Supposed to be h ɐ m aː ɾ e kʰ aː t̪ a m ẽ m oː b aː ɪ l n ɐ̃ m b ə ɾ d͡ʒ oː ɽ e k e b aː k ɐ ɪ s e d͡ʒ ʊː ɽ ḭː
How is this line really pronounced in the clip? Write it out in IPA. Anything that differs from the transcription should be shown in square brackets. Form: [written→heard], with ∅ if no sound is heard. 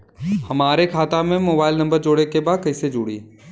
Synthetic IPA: h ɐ m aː ɾ e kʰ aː t̪ a m ẽ m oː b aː ɪ l n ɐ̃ m b ə ɾ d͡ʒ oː ɽ e k e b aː k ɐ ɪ s e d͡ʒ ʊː ɽ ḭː

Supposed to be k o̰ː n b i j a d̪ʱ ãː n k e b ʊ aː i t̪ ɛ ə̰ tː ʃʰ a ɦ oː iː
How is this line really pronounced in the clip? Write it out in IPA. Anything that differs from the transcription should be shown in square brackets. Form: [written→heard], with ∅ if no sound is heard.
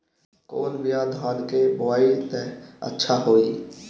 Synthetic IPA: k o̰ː n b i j a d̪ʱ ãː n k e b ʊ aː i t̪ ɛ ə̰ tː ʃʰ a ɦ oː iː

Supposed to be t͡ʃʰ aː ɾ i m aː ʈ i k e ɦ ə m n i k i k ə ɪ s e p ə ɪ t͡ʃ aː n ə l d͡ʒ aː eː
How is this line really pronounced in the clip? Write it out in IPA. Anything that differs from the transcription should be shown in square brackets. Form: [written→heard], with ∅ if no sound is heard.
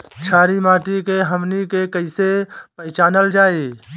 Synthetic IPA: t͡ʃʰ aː ɾ i m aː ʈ i k e ɦ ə m n i k [i→e] k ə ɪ s e p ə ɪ t͡ʃ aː n ə l d͡ʒ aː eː

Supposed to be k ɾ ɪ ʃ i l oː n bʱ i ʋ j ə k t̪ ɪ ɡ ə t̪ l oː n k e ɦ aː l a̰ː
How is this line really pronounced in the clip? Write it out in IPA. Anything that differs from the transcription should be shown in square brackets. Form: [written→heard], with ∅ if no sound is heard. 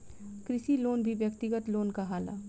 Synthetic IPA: k ɾ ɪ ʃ i l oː n bʱ i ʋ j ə k t̪ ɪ ɡ ə t̪ l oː n k [e→a] ɦ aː l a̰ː

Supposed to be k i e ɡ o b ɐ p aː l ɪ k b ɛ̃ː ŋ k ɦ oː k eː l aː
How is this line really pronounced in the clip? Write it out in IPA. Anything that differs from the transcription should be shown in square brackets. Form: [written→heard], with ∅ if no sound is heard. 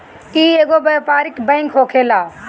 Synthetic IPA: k i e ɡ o b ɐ p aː [l→ɾ] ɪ k b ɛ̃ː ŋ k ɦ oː [k→kʰ] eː l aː

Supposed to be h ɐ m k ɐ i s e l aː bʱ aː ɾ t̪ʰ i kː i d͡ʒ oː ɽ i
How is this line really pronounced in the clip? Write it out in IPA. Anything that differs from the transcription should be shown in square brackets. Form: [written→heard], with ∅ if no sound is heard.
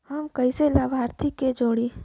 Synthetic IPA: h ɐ m k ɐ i s e l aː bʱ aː ɾ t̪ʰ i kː [i→e] d͡ʒ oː ɽ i

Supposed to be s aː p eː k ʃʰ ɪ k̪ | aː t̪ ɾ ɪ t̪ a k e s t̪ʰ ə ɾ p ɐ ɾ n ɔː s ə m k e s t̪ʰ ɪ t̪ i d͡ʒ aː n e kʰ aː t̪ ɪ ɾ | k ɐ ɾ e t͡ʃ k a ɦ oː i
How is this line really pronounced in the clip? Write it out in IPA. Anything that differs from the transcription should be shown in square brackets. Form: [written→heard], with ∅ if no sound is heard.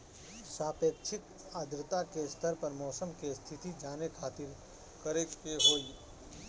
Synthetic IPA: s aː p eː k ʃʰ ɪ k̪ | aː [t̪→d̪] ɾ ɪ t̪ a k e s t̪ʰ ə ɾ p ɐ ɾ [n→m] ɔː s ə m k e s t̪ʰ ɪ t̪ i d͡ʒ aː n e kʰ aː t̪ ɪ ɾ | k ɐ ɾ e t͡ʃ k [a→e] ɦ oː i

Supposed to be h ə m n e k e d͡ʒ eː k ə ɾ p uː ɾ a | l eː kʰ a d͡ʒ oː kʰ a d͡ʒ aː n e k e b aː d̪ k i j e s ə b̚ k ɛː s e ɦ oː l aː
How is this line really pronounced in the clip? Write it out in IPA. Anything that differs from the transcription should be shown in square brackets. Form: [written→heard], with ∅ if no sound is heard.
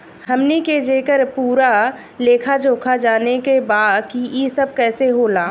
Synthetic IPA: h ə m n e k e d͡ʒ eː k ə ɾ p uː ɾ a | l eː kʰ a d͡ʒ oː kʰ a d͡ʒ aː n e k e b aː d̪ k i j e s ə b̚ k ɛː s e ɦ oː l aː

